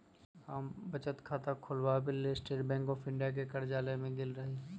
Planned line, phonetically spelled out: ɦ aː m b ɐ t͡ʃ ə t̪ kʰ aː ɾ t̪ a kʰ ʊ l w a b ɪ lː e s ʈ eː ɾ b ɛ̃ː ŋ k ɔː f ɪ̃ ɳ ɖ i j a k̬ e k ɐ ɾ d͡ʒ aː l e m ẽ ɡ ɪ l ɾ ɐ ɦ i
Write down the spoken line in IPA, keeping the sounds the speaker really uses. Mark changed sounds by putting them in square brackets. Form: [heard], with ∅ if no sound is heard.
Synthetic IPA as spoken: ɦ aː m b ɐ t͡ʃ ə t̪ kʰ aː [∅] t̪ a kʰ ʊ l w a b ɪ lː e s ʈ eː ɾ b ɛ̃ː ŋ k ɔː f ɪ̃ ɳ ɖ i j a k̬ e k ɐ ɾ d͡ʒ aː l e m ẽ ɡ ɪ l ɾ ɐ ɦ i